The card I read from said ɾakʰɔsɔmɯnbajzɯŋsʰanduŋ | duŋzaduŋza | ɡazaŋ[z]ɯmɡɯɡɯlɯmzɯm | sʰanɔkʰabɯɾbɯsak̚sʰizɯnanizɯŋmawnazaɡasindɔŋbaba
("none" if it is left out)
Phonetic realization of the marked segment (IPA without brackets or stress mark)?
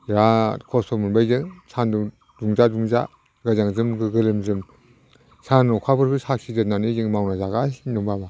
z